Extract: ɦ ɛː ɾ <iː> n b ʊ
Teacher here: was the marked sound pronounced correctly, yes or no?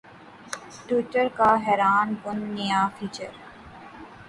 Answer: no